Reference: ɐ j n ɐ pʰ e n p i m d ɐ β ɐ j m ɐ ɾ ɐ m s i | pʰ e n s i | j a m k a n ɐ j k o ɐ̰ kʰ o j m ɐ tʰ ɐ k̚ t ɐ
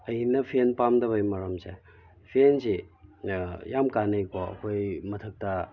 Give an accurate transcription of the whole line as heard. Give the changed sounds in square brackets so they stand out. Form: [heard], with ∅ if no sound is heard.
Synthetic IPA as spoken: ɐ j n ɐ pʰ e n p [a] m d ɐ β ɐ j m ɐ ɾ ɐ m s [e] | pʰ e n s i | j a m k a n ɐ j k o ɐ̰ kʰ o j m ɐ tʰ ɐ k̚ t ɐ